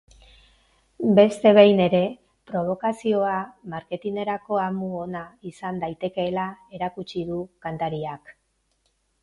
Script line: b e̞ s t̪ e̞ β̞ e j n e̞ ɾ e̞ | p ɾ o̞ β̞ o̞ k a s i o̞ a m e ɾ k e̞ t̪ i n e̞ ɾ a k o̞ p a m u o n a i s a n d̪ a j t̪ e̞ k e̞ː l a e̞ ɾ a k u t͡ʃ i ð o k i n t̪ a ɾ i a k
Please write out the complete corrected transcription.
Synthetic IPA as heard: b e̞ s t̪ e̞ β̞ e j n e̞ ɾ e̞ | p ɾ o̞ β̞ o̞ k a s i o̞ a m a ɾ k e̞ t̪ i n e̞ ɾ a k o̞ a m u o n a i s a n d̪ a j t̪ e̞ k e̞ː l a e̞ ɾ a k u t͡ʃ i ð u k a n t̪ a ɾ i a k